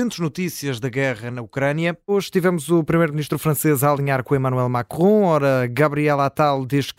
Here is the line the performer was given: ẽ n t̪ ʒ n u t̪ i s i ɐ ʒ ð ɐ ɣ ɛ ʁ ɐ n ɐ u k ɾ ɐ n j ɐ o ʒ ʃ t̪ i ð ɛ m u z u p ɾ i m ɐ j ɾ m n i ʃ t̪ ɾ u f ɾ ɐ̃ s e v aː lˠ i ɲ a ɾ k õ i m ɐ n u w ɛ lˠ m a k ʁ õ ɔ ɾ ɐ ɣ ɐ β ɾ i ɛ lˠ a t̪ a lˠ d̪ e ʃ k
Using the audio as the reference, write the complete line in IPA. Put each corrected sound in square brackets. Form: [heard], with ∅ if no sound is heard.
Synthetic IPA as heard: ẽ n t̪ ʒ n u t̪ i s i ɐ ʒ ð ɐ ɣ ɛ ʁ ɐ n ɐ u k ɾ ɐ n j ɐ o ʒ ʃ t̪ i [v] ɛ m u z u p ɾ i m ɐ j ɾ m n i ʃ t̪ ɾ u f ɾ ɐ̃ s e [z] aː lˠ i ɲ a ɾ k õ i m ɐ n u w ɛ lˠ m a k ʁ õ ɔ ɾ ɐ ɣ ɐ β ɾ i ɛ lˠ a t̪ a lˠ d̪ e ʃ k